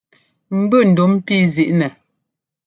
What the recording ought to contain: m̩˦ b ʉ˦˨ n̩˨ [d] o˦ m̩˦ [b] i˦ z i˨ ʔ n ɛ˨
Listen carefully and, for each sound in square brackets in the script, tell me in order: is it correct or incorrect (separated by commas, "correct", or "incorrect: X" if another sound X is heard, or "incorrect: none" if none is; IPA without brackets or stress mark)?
correct, incorrect: p